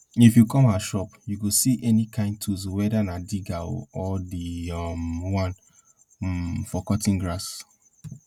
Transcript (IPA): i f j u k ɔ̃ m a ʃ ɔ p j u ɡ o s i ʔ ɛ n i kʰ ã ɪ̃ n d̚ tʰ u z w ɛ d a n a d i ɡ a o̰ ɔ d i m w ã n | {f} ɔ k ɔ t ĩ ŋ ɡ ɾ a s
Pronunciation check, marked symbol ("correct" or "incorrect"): correct